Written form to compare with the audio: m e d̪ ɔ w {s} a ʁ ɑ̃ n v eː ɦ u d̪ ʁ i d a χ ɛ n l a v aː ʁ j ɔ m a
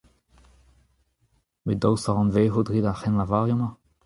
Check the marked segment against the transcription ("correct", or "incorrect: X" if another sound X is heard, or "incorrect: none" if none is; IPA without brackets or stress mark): correct